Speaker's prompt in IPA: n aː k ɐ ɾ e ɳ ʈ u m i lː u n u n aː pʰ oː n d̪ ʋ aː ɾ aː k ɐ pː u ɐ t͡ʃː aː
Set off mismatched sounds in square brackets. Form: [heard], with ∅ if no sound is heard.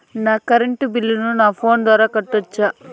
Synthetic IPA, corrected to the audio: n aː k ɐ ɾ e ɳ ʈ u [b] i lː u n u n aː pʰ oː n d̪ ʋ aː ɾ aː k ɐ [ʈː] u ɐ t͡ʃː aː